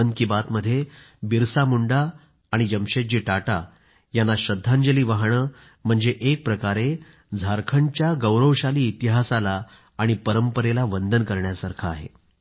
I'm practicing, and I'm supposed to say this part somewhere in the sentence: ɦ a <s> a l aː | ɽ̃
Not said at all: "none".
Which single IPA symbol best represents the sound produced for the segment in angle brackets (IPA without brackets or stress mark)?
s